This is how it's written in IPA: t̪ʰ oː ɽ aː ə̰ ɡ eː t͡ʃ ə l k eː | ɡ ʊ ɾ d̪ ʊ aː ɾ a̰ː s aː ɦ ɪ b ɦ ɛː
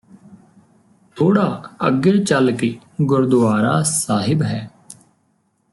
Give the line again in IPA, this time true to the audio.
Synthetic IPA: t̪ʰ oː ɽ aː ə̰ ɡ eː t͡ʃ ə l k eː | ɡ ʊ ɾ d̪ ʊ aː ɾ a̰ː s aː ɦ ɪ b ɦ ɛː